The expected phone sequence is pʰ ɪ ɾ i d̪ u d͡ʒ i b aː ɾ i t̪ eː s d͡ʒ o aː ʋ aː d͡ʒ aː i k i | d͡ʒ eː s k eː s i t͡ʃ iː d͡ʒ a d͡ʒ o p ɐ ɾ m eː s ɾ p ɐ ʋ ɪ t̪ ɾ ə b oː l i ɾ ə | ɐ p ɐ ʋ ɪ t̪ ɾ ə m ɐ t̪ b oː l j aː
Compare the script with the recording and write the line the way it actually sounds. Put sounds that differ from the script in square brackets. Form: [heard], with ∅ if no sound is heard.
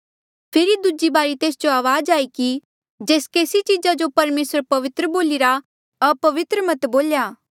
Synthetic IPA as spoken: pʰ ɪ ɾ i d̪ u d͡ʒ i b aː ɾ i t̪ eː s d͡ʒ o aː ʋ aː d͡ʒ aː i k i | d͡ʒ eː s k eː s i t͡ʃ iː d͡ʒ a d͡ʒ o p ɐ ɾ m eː s ɾ p ɐ ʋ ɪ t̪ ɾ ə b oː l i ɾ [a] | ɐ p ɐ ʋ ɪ t̪ ɾ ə m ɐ t̪ b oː l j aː